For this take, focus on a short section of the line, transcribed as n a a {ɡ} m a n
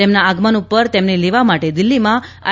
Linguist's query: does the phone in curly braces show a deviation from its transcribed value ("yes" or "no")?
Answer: no